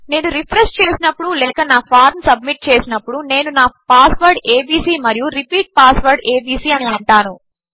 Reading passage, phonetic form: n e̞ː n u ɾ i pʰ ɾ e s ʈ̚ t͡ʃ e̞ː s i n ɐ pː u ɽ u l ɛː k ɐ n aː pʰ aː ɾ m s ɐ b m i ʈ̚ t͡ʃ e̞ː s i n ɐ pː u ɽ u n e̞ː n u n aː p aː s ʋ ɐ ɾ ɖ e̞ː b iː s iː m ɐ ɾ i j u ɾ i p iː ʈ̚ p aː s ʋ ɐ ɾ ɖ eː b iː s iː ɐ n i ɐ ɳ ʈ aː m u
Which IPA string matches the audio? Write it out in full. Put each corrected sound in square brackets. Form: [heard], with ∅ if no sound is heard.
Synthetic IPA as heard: n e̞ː n u ɾ i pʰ ɾ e s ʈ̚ t͡ʃ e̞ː s i n ɐ pː u ɽ u l ɛː k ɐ n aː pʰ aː ɾ m s ɐ b m i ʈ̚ t͡ʃ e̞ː s i n ɐ pː u ɽ u n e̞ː n u n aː p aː s ʋ ɐ ɾ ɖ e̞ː b iː s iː m ɐ ɾ i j u ɾ i p iː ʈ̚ p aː s ʋ ɐ ɾ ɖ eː b iː s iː ɐ n i ɐ ɳ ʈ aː [n] u